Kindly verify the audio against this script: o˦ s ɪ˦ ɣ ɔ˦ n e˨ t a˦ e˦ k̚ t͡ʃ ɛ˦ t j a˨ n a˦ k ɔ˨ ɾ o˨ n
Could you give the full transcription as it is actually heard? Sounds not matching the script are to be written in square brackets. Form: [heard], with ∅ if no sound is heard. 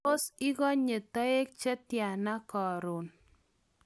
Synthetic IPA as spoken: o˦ s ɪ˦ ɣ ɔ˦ [ɲ] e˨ t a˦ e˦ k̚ t͡ʃ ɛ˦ t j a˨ n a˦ k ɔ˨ ɾ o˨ n